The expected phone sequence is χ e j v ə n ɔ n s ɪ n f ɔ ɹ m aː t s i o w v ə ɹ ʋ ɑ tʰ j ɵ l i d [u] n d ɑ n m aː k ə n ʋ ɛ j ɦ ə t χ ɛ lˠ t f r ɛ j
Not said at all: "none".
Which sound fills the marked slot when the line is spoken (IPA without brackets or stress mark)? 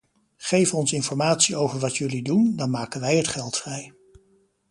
u